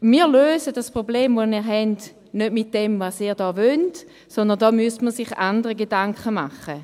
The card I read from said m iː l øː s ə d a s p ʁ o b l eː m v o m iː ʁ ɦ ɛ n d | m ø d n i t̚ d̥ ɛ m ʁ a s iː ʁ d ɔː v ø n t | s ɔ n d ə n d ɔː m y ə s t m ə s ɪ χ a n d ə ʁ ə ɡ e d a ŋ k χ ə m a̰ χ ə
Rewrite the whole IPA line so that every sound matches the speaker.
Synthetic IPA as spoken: m iː l øː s ə d a s p ʁ o b l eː m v o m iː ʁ ɦ ɛ n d | n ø d m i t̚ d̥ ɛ m v a s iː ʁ d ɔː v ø n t | s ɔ n d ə n d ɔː m y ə s t m ə s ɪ χ a n d ə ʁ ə ɡ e d a ŋ k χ ə m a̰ χ ə